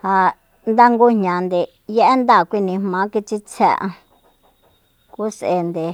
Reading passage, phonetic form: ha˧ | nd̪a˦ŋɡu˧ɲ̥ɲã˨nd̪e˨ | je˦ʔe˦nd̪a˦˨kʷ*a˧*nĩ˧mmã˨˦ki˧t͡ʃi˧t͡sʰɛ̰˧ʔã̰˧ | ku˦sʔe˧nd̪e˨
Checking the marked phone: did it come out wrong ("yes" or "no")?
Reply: yes